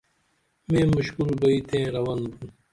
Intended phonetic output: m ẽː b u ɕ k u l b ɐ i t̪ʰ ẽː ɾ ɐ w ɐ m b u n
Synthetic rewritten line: m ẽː m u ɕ k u l b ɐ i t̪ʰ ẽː ɾ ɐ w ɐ n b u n